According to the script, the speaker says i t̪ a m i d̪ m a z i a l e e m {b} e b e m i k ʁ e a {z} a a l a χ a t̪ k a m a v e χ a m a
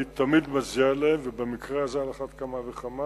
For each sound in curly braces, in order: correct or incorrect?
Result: incorrect: v, correct

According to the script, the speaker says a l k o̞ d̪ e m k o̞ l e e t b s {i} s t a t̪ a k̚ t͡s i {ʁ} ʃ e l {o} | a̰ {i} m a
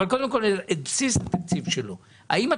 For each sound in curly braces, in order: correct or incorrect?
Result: correct, incorrect: v, correct, correct

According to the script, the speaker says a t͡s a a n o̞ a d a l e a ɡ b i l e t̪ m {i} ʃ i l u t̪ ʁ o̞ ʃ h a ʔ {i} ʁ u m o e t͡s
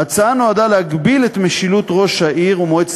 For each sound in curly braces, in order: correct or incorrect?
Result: incorrect: e, correct

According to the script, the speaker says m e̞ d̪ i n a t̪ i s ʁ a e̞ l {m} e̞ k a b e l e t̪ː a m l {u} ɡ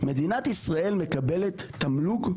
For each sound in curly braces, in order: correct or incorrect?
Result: correct, correct

